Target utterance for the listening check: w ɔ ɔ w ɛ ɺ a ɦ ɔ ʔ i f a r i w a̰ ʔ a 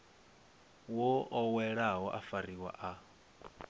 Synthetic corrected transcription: w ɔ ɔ w ɛ ɺ a ɦ ɔ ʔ a f a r i w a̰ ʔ a